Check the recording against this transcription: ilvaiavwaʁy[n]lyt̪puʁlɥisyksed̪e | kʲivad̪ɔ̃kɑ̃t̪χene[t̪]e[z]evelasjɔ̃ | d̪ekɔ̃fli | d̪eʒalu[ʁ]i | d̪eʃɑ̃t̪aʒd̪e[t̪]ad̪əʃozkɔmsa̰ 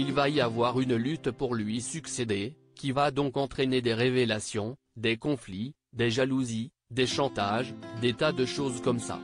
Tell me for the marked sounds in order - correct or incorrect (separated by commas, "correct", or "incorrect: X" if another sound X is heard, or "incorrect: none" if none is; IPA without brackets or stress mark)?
correct, incorrect: d̪, incorrect: ʁ, incorrect: z, correct